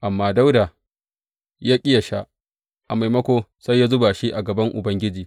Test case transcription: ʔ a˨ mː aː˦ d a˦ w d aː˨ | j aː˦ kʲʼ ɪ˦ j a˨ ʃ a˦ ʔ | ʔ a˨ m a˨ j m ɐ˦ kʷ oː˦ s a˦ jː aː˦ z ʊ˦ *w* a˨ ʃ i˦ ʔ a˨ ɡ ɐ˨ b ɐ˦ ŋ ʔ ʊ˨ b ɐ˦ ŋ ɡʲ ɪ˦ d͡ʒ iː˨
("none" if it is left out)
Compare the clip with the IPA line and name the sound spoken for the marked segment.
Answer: b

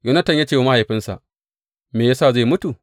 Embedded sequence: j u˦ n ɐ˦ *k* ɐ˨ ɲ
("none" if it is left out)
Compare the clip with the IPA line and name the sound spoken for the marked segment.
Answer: t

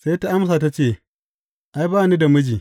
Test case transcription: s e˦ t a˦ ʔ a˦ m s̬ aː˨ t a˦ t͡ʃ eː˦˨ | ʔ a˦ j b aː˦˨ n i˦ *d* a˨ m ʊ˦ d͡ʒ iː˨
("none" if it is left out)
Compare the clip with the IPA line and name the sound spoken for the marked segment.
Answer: d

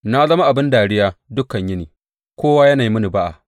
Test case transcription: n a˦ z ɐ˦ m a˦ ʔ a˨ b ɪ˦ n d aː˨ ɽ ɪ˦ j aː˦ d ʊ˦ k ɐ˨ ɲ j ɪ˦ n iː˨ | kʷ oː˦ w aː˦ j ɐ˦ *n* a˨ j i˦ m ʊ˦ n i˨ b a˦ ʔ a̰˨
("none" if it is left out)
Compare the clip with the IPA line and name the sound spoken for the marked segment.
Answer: n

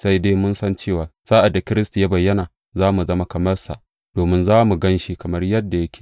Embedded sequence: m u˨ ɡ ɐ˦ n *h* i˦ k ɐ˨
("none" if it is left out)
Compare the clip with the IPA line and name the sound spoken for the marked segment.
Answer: ʃ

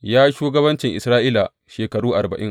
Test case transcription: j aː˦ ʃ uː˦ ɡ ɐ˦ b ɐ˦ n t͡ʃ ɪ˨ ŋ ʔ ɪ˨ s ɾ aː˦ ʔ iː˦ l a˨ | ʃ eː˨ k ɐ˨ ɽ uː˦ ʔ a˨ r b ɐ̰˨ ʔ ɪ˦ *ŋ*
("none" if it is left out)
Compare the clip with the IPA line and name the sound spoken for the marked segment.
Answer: ŋ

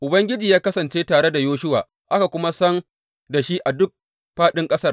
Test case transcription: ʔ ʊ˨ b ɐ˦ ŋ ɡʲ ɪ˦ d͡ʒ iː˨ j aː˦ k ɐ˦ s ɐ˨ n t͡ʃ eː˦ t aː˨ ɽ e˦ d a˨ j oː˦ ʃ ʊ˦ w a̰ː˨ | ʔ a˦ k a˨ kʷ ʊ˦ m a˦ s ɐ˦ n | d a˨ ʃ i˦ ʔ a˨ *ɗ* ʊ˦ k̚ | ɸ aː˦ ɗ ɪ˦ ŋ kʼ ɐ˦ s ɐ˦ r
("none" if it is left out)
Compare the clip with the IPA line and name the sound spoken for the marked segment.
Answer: d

